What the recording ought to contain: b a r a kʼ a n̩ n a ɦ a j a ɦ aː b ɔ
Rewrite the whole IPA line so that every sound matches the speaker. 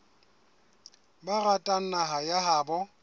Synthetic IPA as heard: b a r a tʼ a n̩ n a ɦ a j a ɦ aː b ɔ